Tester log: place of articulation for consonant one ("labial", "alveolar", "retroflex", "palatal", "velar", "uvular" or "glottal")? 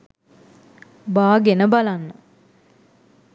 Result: labial